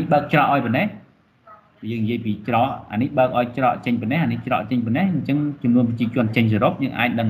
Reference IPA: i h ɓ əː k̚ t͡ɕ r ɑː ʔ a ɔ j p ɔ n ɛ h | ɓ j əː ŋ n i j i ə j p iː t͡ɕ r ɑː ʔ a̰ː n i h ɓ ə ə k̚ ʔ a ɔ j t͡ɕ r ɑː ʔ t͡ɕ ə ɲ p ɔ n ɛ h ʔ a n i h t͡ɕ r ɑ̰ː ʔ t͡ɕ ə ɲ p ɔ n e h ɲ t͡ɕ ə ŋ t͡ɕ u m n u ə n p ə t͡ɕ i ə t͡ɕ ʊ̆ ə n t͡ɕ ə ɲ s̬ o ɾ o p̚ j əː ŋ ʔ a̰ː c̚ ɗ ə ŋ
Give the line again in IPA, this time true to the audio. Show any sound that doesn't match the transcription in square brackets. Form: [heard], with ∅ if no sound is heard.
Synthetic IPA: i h ɓ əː k̚ t͡ɕ r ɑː ʔ a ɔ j p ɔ n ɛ h | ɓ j əː ŋ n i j i ə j p iː t͡ɕ r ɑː ʔ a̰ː n i h ɓ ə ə k̚ ʔ a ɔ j t͡ɕ r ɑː ʔ t͡ɕ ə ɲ p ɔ n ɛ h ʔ a n i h t͡ɕ r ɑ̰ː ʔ t͡ɕ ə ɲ p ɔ n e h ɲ t͡ɕ ə ŋ t͡ɕ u m n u ə n p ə t͡ɕ i ə t͡ɕ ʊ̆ ə n t͡ɕ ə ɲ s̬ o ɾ o p̚ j əː ŋ ʔ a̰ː c̚ ɗ ə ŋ